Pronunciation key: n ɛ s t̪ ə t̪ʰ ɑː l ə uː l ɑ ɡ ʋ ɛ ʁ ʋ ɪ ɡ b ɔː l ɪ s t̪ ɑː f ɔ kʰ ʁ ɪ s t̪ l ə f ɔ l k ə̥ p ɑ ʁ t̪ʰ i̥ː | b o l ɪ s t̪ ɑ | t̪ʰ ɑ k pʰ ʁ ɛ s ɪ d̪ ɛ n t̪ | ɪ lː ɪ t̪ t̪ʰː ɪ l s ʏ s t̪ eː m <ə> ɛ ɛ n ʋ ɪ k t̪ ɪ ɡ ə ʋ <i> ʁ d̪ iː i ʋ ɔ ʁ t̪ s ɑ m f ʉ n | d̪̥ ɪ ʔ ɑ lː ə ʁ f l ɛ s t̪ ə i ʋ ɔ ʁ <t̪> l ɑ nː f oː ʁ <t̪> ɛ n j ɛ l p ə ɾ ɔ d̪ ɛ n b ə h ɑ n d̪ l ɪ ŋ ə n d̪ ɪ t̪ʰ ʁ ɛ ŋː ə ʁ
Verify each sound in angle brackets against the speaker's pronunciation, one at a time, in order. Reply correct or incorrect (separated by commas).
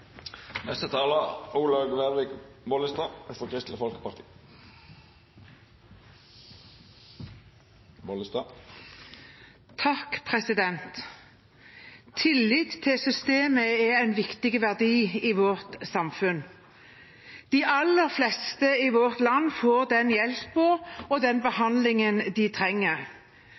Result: correct, incorrect, correct, incorrect